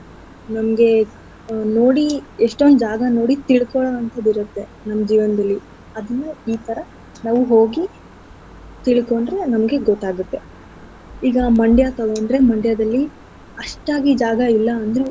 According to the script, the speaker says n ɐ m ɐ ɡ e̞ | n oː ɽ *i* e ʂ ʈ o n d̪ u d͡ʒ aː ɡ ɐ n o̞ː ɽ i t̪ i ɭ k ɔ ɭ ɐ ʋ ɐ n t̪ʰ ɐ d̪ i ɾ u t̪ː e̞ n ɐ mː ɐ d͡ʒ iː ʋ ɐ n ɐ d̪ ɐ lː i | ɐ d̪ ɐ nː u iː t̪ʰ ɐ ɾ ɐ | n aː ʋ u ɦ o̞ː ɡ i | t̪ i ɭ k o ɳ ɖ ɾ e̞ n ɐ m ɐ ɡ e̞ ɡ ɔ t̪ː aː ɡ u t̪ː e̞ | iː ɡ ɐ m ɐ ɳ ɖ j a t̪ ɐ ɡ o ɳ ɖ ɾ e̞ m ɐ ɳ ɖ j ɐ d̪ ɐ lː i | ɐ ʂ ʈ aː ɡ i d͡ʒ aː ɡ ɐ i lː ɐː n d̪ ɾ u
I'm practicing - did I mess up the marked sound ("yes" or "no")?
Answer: no